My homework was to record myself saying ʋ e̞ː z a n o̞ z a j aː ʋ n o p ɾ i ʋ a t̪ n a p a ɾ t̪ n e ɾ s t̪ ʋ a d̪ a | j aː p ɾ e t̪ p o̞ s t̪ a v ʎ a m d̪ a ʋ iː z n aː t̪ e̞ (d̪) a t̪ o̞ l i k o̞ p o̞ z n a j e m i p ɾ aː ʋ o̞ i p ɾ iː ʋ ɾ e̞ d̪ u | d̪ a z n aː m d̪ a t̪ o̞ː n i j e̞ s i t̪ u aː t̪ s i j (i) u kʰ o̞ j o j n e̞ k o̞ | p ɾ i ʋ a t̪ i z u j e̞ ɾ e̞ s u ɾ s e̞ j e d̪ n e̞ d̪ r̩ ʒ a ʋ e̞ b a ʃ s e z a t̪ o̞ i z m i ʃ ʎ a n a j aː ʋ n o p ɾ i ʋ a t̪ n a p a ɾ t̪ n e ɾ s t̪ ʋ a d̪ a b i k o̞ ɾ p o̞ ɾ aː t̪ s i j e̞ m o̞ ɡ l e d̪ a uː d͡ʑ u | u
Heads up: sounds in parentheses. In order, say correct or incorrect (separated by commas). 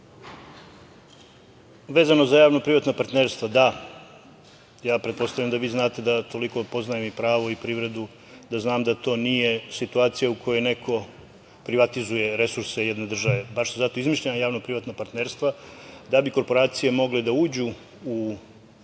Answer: correct, incorrect